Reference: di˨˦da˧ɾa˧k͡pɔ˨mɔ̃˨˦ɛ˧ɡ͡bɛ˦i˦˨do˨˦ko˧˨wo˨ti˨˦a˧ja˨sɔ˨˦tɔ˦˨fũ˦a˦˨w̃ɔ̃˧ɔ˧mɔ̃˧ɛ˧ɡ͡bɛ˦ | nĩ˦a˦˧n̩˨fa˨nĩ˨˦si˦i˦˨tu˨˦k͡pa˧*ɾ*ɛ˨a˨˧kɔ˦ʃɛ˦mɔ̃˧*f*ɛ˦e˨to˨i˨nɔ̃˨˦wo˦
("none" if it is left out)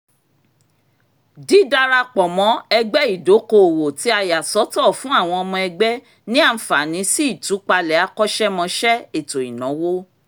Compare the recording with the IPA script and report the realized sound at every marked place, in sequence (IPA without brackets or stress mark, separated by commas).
l, ʃ